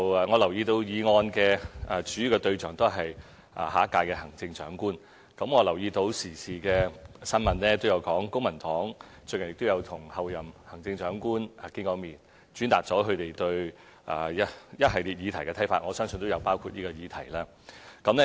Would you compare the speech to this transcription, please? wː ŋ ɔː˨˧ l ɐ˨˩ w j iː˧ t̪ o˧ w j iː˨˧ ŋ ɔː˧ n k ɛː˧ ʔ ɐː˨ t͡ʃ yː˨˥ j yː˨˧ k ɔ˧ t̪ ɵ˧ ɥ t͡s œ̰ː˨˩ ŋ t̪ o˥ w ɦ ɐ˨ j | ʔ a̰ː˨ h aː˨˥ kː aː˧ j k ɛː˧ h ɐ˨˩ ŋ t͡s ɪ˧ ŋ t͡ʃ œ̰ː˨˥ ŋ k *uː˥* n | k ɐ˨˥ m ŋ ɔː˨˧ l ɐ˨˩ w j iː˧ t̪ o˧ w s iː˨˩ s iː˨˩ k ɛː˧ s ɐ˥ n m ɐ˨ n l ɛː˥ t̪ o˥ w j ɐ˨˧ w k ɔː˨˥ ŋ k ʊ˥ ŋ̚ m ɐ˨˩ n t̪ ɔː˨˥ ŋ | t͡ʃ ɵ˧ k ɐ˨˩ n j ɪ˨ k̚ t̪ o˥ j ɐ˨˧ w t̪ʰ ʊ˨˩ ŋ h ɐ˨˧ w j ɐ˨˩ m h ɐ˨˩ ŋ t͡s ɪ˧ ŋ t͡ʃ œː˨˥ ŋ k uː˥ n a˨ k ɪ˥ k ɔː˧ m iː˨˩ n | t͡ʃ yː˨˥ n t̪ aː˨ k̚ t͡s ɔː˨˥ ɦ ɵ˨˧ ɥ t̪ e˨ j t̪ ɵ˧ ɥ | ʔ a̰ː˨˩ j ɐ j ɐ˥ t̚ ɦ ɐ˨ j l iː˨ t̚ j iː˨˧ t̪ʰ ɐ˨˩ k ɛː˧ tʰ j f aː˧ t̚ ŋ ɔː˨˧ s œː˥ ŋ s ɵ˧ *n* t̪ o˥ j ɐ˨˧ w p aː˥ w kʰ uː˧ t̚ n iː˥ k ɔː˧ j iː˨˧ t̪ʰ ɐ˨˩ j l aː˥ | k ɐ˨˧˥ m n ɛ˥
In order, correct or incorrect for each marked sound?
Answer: correct, correct

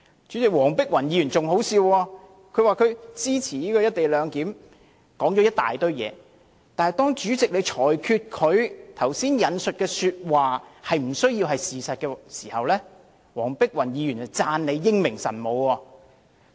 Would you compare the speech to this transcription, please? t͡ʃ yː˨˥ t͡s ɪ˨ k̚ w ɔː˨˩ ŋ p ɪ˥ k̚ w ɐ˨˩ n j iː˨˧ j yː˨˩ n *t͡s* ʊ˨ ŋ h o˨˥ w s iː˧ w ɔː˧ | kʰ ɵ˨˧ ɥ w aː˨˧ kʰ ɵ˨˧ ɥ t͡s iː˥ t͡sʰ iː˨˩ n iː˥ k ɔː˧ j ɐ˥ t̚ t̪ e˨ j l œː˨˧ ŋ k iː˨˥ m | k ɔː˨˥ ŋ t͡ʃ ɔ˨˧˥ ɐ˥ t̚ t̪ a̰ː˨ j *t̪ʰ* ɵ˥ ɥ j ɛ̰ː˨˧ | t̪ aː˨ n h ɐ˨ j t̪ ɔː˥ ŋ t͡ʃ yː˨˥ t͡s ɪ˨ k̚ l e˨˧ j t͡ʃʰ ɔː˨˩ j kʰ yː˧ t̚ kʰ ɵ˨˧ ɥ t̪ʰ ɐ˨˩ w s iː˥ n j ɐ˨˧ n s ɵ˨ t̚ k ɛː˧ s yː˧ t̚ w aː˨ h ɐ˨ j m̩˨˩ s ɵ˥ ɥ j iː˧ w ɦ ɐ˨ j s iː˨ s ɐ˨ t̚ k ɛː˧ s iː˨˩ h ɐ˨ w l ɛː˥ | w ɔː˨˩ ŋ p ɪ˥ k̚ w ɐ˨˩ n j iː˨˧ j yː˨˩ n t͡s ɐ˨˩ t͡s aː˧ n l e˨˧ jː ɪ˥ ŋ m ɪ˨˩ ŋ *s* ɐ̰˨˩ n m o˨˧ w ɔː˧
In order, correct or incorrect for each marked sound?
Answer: correct, incorrect: t̪, correct

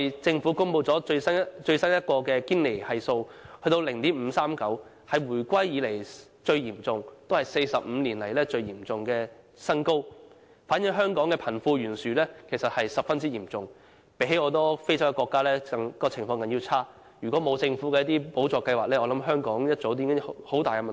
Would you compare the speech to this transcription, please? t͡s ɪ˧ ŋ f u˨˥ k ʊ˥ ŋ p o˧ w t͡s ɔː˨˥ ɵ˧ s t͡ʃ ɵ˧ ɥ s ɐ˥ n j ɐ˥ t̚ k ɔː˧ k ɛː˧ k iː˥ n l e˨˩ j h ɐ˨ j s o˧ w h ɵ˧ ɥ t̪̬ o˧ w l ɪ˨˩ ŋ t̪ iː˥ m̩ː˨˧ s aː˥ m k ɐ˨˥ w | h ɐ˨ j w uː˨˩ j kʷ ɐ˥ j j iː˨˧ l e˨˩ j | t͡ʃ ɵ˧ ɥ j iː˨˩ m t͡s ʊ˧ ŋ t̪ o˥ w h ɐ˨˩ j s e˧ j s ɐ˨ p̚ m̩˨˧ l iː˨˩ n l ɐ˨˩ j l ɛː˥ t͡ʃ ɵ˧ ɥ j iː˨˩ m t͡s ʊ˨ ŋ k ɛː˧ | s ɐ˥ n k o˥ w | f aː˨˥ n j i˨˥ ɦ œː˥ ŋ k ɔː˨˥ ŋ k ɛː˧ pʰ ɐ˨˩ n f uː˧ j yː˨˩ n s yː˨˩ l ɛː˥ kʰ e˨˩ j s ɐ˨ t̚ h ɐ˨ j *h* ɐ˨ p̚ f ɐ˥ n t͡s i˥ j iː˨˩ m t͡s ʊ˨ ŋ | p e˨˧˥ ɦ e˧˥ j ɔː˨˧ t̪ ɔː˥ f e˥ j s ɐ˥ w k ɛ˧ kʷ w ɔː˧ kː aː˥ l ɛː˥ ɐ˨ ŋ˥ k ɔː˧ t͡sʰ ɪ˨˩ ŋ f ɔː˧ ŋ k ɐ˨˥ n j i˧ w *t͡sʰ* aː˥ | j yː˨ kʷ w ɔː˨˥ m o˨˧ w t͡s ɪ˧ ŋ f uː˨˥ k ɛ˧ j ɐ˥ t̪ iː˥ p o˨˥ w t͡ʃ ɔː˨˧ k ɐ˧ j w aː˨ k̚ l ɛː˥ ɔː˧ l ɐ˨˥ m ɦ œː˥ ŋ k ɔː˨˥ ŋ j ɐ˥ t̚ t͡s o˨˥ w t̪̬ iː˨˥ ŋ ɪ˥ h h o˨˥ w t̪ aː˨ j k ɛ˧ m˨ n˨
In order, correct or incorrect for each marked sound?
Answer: incorrect: s, correct

